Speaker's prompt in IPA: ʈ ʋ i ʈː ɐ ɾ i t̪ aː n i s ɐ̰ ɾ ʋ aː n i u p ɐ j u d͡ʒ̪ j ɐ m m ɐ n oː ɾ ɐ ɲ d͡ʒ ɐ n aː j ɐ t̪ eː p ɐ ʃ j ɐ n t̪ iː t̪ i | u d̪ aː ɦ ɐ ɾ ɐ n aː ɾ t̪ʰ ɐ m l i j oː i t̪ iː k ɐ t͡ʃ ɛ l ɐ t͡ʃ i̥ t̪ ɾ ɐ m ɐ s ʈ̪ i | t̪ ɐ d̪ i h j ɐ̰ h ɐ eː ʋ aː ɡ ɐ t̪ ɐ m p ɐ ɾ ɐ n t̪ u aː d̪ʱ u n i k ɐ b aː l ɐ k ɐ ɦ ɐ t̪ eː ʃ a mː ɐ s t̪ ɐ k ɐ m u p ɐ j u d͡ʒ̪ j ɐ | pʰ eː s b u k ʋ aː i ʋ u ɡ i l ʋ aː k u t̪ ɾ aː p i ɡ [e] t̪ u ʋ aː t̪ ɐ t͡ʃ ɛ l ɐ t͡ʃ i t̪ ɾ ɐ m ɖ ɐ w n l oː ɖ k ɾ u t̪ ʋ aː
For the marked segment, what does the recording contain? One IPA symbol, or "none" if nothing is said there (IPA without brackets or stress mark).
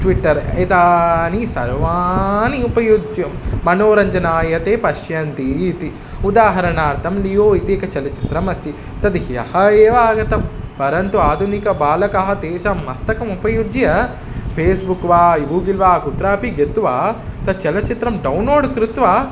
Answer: e